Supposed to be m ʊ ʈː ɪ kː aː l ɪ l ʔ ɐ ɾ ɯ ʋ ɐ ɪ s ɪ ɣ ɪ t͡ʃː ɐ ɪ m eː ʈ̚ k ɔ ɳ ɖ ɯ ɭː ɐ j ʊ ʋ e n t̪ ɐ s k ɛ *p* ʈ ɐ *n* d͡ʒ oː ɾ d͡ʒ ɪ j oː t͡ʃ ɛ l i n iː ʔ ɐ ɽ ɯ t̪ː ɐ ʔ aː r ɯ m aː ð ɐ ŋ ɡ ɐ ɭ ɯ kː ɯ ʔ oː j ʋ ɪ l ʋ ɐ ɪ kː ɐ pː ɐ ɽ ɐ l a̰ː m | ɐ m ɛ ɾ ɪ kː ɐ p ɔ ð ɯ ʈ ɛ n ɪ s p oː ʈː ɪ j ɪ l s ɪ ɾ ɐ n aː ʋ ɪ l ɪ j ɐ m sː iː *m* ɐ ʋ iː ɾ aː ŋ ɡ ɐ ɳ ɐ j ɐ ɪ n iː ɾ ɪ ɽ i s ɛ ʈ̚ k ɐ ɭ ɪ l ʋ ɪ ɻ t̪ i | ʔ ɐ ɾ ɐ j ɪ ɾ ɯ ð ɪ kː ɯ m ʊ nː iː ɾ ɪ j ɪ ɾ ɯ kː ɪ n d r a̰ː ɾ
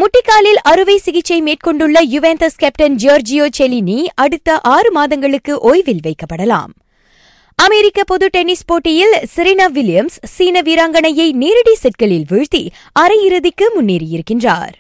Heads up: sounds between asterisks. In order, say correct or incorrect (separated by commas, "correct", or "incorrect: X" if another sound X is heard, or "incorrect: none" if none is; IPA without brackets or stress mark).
correct, correct, incorrect: n